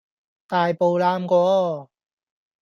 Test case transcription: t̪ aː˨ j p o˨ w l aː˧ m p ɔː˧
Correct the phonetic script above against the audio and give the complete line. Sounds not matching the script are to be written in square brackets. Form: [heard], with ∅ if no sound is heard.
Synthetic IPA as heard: t̪ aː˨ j p o˨ w l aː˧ m [k] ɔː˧